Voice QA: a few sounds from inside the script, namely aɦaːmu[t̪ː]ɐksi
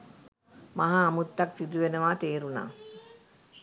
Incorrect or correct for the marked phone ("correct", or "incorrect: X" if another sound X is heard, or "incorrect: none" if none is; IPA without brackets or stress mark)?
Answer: correct